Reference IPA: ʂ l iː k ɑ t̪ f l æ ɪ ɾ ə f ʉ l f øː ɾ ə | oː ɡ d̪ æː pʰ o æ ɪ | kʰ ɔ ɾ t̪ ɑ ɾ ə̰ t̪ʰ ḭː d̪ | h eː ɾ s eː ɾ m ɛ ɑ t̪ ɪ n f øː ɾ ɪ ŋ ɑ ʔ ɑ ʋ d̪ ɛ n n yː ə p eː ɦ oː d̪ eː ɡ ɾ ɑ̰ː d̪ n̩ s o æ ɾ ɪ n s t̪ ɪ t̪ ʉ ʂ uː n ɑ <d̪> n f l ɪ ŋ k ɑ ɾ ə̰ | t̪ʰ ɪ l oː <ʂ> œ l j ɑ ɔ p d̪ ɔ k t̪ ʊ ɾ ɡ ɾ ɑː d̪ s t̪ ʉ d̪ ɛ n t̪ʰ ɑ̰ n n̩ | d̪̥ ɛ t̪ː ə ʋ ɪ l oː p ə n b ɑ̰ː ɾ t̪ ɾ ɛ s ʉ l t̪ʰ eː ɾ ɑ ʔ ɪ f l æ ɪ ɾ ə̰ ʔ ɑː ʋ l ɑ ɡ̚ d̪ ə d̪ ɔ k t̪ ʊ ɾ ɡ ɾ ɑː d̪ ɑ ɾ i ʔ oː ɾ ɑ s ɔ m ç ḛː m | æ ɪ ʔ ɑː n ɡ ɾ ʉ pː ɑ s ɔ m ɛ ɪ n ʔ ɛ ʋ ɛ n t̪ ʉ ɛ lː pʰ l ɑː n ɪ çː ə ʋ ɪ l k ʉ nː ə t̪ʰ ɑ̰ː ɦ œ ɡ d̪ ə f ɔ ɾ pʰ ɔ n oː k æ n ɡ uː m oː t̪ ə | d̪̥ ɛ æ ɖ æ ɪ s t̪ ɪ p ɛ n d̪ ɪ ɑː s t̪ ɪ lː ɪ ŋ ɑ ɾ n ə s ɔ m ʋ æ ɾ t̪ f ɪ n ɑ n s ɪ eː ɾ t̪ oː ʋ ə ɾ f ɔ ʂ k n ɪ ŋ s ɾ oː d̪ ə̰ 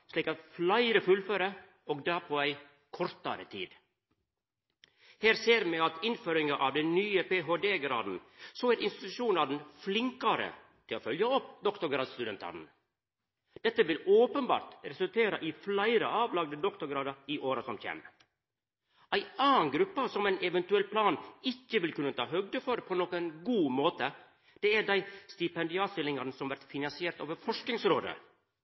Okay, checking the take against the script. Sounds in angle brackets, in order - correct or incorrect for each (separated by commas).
correct, incorrect